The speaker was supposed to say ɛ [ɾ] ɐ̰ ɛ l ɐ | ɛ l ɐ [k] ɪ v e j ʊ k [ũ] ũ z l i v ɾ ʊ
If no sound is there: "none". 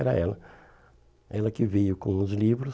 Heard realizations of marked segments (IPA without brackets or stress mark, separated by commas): ɾ, k, õ